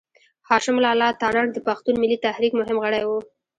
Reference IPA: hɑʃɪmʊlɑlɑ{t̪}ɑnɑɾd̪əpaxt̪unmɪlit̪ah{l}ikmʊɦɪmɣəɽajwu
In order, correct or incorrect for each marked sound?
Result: correct, incorrect: ɾ

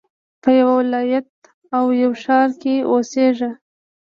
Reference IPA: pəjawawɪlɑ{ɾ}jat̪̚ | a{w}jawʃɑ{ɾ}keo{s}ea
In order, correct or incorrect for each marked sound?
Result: incorrect: none, correct, correct, correct

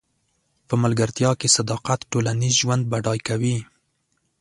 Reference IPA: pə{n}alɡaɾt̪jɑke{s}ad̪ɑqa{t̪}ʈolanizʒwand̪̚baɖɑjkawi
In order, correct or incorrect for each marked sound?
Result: incorrect: m, correct, correct

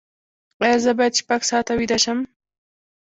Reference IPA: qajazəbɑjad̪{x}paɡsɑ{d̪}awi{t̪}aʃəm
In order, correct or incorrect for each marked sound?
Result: incorrect: ʃ, incorrect: t̪, incorrect: d̪

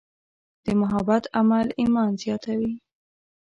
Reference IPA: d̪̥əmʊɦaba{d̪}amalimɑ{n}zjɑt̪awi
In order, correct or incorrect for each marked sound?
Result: incorrect: t̪, correct

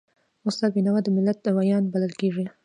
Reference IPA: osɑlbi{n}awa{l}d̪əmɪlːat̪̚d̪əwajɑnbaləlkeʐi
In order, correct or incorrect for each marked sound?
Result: correct, incorrect: none

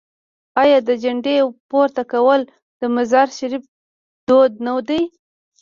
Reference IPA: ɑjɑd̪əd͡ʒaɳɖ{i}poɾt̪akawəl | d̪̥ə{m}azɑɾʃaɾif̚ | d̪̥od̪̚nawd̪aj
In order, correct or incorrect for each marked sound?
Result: incorrect: e, correct

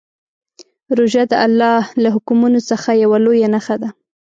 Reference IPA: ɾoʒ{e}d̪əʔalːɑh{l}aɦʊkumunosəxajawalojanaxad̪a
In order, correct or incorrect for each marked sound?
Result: incorrect: a, correct

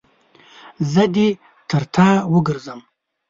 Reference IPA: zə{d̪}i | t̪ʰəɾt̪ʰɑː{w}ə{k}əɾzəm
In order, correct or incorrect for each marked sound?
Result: correct, correct, incorrect: ɡ

